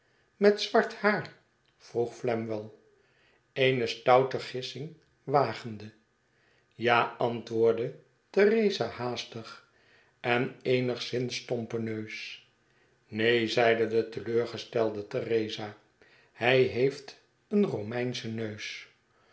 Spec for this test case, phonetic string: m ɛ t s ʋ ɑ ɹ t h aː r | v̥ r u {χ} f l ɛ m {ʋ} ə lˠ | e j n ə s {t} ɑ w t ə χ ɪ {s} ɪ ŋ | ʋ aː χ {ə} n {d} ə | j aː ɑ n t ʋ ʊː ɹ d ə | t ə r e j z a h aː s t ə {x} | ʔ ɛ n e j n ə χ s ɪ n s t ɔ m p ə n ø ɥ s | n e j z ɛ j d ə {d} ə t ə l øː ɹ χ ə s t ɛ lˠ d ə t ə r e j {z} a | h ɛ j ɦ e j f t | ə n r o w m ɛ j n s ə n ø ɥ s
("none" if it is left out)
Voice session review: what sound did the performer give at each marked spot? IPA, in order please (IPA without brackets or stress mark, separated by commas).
χ, ʋ, t, s, ə, d, χ, d, z